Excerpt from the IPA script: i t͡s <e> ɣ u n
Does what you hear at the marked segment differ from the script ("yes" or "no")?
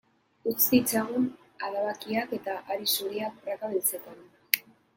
yes